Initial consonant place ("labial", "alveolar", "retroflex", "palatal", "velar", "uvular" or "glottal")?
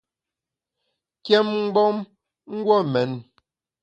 velar